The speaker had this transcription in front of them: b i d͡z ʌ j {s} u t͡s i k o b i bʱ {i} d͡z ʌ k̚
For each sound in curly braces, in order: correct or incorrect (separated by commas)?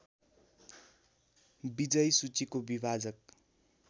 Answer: correct, incorrect